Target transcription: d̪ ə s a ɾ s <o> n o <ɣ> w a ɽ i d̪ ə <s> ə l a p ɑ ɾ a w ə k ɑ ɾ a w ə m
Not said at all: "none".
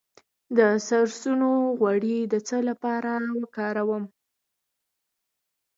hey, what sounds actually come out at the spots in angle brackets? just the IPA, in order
u, ɣ, t͡s

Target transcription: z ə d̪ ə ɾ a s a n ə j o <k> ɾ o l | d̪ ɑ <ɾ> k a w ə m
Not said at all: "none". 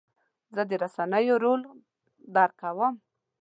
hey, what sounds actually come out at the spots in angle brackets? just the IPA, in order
none, ɾ

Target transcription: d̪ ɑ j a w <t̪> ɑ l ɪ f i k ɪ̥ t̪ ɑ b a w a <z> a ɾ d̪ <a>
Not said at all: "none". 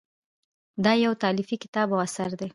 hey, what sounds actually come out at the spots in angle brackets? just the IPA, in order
t̪, s, e

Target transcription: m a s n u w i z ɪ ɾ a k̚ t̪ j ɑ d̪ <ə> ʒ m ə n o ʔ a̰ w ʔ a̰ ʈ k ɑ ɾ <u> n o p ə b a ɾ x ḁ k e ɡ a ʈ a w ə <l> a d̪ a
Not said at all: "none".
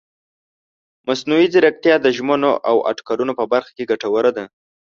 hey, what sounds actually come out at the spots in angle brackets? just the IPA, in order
ə, u, ɾ

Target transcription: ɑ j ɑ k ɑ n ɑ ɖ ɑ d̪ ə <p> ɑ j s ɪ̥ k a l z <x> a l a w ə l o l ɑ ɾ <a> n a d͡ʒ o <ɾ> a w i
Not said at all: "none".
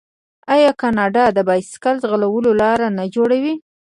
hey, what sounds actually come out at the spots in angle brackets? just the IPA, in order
b, ɣ, a, ɽ

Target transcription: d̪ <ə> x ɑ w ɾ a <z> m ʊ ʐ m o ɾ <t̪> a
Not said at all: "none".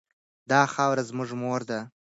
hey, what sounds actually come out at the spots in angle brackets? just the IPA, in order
ɑ, z, d̪

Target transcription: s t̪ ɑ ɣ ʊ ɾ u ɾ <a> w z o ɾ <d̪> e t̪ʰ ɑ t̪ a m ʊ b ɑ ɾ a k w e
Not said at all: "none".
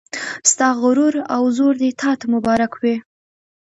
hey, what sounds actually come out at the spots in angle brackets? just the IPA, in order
a, d̪

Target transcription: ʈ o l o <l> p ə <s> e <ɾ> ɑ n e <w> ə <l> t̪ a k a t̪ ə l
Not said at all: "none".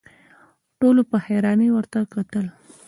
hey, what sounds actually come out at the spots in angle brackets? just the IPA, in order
none, h, ɾ, w, ɾ

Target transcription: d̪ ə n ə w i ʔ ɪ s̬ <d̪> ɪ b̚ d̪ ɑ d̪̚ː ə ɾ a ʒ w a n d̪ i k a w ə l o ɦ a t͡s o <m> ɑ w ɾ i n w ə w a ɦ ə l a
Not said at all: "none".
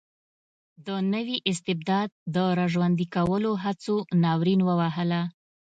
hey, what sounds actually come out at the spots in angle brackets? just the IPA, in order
t̪, n

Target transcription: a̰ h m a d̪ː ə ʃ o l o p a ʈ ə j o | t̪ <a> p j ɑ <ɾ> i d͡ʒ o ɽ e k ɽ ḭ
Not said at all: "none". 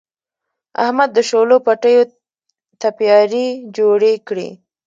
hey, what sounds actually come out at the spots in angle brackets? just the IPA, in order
a, ɾ

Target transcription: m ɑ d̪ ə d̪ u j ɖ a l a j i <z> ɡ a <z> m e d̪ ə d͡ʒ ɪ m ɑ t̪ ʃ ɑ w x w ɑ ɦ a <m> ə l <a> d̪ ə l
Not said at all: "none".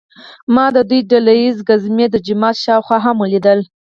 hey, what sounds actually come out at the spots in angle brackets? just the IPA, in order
z, z, m, i

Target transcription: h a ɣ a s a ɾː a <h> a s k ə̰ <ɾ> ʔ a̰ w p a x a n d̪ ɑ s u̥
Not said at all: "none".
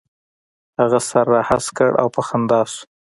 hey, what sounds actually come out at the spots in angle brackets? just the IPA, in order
h, ɽ

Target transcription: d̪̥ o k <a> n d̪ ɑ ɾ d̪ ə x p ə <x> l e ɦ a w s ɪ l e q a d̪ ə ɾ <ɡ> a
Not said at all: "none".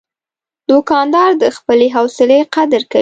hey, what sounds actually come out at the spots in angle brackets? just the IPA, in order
ɑ, none, k

